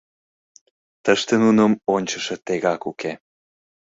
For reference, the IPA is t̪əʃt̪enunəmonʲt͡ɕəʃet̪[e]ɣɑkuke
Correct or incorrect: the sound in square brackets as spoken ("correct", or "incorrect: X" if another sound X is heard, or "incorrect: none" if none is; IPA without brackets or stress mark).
correct